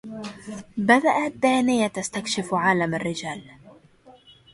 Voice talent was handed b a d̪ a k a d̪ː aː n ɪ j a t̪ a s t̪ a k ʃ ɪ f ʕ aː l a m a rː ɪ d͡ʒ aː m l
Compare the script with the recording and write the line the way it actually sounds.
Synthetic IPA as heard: b a d̪ a ʔ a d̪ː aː n ɪ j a t̪ a s t̪ a k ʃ ɪ f ʕ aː l a m a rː ɪ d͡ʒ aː l